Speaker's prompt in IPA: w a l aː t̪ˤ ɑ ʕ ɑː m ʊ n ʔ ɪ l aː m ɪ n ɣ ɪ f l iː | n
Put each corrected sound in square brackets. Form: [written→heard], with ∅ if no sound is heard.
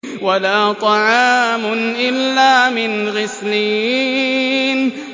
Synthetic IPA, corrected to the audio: w a l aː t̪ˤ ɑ ʕ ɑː m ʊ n ʔ ɪ [l→lː] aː m ɪ n ɣ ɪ [f→s] l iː | n